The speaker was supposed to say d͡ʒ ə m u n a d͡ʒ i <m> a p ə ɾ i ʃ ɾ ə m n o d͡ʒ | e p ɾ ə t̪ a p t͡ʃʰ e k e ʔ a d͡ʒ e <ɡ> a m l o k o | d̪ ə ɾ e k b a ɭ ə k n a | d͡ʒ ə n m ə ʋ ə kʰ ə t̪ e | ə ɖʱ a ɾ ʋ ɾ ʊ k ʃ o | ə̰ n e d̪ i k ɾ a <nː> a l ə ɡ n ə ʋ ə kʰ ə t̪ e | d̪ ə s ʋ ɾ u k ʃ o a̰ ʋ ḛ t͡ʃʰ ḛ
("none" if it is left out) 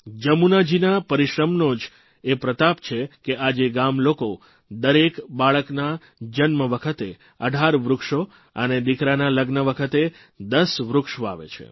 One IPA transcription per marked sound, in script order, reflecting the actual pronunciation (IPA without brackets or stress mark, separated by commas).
n, ɡ, n